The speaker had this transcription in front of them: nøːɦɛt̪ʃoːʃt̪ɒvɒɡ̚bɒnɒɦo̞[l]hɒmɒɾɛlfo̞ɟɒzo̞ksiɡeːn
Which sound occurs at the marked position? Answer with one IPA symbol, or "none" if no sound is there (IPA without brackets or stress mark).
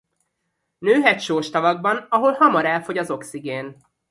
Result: l